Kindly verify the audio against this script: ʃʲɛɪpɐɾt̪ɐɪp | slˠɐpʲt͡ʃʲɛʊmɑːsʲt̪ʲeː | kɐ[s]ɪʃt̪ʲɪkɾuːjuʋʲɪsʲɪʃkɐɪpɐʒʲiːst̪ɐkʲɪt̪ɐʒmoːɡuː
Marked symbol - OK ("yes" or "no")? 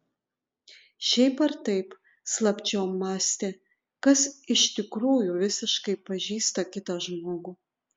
yes